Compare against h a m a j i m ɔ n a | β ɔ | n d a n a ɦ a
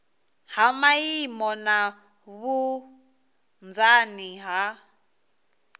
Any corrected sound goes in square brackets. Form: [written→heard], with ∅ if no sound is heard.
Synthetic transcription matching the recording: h a m a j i m ɔ n a | β [ɔ→u] | n [d→d͡z] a n [a→i] ɦ a